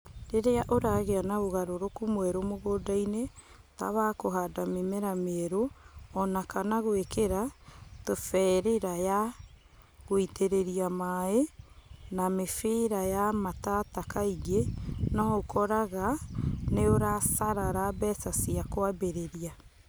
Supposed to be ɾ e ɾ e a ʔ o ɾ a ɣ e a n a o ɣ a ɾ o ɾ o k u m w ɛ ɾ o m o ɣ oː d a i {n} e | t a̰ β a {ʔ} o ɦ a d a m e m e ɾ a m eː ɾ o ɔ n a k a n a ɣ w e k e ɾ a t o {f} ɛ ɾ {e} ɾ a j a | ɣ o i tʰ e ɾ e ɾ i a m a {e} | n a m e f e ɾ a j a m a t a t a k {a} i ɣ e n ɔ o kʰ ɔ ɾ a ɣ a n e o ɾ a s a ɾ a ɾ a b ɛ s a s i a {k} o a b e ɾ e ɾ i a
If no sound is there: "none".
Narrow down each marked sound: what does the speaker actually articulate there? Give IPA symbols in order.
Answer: n, k, f, e, e, a, k

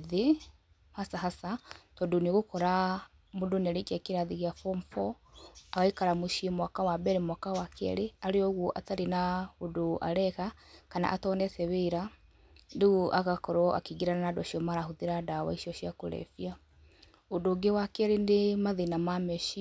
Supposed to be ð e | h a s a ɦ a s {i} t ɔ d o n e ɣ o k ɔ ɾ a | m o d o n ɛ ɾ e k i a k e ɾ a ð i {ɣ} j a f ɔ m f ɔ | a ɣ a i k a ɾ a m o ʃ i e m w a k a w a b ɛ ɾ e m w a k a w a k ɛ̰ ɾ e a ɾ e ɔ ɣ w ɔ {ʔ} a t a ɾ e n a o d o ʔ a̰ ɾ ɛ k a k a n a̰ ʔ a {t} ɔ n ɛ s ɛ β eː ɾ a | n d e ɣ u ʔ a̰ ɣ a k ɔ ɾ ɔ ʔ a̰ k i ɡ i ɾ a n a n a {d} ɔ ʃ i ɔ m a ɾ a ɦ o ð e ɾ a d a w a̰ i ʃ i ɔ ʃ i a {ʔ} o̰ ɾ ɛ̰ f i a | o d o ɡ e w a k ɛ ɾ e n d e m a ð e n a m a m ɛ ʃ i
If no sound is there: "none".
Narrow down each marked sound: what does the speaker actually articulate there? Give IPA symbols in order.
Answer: a, ɣ, ʔ, t, d, k

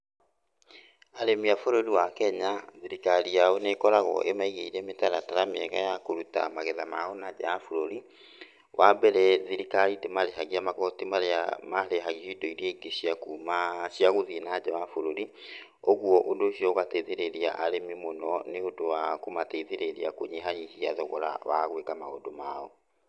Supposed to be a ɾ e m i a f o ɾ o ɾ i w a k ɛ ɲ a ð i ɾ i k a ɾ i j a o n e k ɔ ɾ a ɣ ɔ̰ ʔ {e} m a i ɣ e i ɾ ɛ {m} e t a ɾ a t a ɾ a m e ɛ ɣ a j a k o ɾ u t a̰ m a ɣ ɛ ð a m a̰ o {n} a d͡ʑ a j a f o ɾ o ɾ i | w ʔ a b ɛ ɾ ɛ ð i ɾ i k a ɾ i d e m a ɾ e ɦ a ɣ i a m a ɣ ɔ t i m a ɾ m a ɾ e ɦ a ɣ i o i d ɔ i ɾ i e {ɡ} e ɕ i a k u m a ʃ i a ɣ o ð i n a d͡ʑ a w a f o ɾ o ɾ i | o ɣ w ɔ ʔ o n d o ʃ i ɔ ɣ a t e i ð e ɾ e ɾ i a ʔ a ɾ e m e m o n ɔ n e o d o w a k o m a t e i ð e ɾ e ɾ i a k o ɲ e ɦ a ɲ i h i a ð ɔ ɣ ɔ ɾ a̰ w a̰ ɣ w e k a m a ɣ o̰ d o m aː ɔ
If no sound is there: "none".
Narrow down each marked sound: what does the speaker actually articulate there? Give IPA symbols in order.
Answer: e, m, n, ɡ

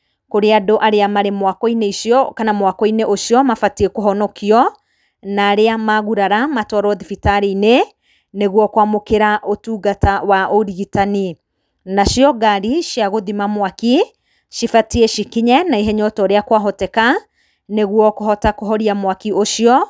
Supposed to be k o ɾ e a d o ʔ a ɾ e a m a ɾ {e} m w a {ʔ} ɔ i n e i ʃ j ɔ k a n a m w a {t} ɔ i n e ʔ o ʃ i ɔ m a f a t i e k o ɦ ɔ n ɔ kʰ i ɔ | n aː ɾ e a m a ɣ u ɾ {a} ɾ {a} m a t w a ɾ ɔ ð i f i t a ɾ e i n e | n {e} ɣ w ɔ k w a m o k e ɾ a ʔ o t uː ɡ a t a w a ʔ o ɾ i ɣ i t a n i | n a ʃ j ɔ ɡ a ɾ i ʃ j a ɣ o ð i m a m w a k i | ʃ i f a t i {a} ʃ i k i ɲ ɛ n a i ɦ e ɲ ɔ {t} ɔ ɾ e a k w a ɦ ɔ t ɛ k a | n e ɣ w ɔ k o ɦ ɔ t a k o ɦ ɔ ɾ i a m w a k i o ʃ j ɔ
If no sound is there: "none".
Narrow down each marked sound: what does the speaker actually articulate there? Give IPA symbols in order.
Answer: e, k, k, a, a, e, e, t

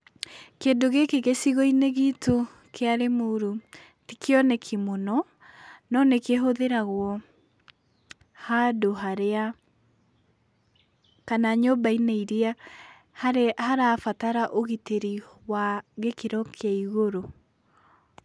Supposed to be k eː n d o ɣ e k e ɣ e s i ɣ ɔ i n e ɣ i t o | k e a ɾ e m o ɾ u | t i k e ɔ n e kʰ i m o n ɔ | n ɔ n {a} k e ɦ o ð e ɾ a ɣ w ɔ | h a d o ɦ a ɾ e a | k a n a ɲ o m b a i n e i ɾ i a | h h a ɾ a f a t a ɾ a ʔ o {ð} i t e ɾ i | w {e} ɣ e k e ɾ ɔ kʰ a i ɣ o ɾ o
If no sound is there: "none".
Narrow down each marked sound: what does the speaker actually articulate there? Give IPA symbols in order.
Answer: e, ɣ, a

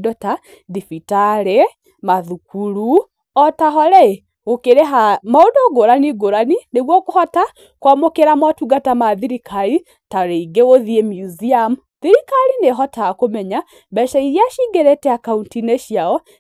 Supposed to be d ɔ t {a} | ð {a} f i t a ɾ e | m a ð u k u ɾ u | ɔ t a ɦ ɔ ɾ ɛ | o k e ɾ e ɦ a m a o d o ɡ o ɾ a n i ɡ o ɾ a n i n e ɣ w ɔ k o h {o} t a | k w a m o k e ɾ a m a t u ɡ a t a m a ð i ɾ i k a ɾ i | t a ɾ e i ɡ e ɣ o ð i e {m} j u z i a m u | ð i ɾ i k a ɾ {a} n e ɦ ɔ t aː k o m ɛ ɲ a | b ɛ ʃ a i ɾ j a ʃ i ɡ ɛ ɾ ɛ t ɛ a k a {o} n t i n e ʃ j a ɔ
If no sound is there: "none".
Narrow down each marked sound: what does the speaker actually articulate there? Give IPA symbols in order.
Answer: a, i, ɔ, m, i, u

